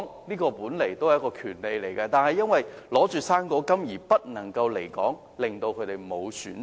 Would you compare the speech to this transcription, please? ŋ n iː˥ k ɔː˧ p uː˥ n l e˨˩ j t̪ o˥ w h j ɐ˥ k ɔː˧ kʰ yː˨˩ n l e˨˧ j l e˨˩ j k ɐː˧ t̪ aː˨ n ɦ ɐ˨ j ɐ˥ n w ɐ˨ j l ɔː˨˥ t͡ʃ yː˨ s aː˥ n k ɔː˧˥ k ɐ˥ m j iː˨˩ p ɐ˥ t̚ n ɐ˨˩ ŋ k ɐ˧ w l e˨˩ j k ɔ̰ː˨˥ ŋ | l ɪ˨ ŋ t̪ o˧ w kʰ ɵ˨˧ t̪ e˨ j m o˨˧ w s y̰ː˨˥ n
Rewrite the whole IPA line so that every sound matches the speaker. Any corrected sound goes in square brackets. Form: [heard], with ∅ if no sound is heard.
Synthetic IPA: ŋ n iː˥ k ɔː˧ p [uː˨˥] n l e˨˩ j t̪ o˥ w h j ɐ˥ k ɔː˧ kʰ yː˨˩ n l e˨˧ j l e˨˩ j k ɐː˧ t̪ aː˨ n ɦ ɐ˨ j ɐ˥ n w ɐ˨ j l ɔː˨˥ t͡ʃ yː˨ s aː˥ n k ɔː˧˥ k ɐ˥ m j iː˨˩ p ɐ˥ t̚ n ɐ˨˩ ŋ k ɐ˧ w l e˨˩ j k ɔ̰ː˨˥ ŋ | l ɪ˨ ŋ t̪ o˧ w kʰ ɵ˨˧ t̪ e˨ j m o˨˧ w s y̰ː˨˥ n

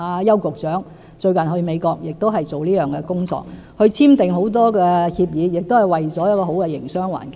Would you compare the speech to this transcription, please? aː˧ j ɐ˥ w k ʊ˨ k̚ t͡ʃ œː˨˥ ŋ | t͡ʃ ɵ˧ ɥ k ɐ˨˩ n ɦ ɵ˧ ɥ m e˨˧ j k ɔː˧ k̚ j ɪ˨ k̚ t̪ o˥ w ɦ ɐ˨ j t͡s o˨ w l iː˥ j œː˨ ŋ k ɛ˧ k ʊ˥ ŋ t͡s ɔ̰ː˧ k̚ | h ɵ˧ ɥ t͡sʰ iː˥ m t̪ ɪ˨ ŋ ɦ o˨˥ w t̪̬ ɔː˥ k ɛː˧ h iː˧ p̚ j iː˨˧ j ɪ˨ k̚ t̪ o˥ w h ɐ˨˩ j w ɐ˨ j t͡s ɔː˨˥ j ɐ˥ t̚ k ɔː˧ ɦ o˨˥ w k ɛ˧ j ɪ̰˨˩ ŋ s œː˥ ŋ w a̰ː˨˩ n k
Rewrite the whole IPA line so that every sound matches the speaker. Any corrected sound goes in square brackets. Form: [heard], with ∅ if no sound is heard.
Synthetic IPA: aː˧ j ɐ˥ w k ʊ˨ k̚ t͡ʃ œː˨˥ ŋ | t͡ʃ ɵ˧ ɥ k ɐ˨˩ n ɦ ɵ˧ ɥ m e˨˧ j k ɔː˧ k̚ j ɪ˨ k̚ t̪ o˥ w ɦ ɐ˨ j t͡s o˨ w l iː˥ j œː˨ ŋ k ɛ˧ k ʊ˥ ŋ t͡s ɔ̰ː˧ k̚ | h ɵ˧ ɥ t͡sʰ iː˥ m t̪ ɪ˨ ŋ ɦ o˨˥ w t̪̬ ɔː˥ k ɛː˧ h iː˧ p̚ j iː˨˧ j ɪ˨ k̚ t̪ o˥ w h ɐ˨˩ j w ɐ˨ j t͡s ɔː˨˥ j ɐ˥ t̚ k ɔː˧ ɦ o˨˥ w k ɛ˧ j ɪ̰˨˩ ŋ s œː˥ ŋ w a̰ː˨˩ n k

